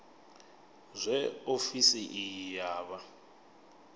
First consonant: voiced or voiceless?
voiced